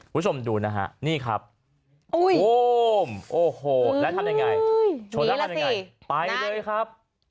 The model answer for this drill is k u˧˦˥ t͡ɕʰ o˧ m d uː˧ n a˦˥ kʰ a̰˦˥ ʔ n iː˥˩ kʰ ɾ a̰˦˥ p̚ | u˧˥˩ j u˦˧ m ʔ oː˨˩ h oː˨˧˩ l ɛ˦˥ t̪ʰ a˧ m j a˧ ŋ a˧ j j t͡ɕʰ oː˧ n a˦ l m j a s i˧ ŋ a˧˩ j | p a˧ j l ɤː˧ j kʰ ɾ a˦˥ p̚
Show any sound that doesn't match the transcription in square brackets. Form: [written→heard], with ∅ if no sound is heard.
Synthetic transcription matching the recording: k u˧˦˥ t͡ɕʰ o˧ m d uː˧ n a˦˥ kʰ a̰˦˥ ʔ n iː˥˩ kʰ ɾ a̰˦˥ p̚ | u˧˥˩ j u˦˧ m ʔ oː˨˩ h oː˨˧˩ l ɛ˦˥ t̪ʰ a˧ m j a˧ ŋ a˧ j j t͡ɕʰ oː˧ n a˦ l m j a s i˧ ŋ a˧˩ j | p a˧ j l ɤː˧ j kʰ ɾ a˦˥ p̚